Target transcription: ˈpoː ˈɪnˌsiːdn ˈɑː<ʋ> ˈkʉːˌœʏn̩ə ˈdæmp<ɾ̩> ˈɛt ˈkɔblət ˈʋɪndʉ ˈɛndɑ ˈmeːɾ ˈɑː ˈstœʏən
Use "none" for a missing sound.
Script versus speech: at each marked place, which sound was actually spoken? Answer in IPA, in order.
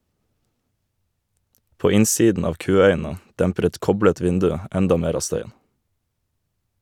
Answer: ʋ, ɾ̩

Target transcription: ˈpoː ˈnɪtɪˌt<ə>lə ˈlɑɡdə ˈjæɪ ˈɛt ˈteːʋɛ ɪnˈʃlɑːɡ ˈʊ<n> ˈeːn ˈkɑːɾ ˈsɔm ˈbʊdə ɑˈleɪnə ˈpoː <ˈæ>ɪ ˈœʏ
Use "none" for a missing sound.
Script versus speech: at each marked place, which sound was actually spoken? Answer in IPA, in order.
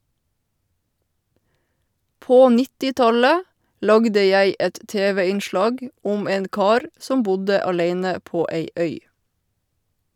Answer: ɑ, m, e

